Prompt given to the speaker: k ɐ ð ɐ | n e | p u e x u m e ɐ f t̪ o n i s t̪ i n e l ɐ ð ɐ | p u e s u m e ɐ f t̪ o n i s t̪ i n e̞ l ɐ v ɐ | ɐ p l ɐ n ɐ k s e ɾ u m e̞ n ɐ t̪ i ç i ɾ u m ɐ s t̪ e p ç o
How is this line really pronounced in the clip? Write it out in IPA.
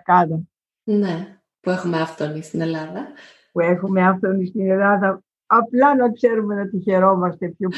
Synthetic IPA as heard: k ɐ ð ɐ | n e | p u e x u m e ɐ f t̪ o n i s t̪ i n e l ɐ ð ɐ | p u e x u m e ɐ f t̪ o n i s t̪ i n e̞ l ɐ ð ɐ | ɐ p l ɐ n ɐ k s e ɾ u m e̞ n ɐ t̪ i ç e ɾ o m ɐ s t̪ e p ç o